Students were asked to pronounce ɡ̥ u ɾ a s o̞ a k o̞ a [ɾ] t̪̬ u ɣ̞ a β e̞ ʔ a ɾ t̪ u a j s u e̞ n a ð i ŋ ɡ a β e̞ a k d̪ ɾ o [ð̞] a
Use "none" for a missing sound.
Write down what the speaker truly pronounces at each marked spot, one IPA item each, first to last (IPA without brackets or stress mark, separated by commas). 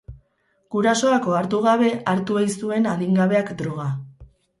ɾ, ɣ̞